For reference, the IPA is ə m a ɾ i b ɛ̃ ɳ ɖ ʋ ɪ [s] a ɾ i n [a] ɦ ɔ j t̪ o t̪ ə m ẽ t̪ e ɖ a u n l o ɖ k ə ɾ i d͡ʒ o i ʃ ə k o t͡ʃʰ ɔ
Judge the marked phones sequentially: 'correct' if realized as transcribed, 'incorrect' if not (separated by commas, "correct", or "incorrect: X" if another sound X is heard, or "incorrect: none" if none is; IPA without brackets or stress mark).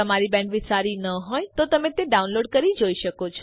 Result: correct, incorrect: ə